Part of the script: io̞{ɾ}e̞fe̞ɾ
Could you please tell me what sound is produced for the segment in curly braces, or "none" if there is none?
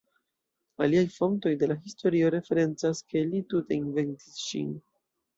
ɾ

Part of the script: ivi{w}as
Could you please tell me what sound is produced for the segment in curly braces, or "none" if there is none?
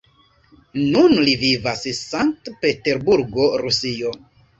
v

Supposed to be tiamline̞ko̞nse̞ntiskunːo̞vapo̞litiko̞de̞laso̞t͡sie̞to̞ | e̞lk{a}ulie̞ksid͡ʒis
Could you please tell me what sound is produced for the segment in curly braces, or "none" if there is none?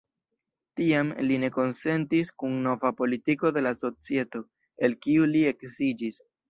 i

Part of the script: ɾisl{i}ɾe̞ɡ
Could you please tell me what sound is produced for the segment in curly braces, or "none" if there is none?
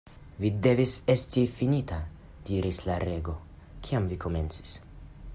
a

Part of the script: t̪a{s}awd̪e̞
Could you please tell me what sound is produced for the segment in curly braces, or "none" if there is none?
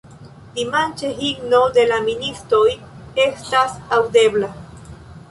s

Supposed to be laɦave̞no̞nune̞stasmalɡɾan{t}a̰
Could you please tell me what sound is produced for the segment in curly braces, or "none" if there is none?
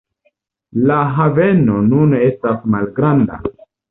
d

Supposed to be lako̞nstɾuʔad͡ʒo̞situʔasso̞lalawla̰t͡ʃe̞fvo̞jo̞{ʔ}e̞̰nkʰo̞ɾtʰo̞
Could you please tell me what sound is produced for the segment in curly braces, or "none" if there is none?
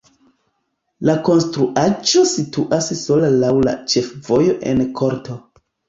ʔ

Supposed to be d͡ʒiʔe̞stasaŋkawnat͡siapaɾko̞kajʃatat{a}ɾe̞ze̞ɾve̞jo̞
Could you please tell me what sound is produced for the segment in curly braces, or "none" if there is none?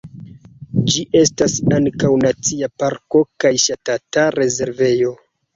a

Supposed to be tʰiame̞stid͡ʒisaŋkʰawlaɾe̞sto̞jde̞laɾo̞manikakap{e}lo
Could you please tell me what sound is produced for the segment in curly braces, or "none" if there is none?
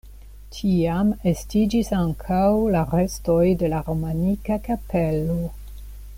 e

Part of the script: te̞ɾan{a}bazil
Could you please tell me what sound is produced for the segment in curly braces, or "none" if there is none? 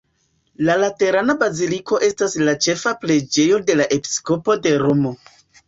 a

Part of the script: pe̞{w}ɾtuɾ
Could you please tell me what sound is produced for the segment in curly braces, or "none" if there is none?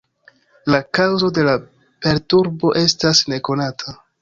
none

